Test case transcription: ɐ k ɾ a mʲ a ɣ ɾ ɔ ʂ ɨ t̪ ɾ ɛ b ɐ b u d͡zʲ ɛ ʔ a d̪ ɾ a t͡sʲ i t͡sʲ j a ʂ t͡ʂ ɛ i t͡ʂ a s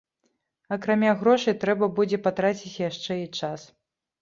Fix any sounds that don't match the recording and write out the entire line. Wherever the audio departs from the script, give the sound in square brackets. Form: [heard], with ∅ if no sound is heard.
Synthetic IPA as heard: ɐ k ɾ a mʲ a ɣ ɾ ɔ ʂ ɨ t̪ ɾ ɛ b ɐ b u d͡zʲ ɛ [p] a [t̪] ɾ a t͡sʲ i t͡sʲ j a ʂ t͡ʂ ɛ i t͡ʂ a s